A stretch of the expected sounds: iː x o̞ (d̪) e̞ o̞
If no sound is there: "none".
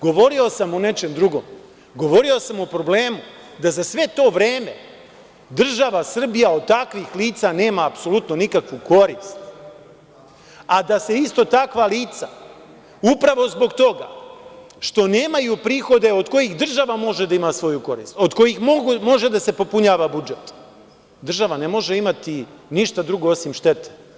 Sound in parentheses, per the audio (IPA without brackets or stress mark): d̪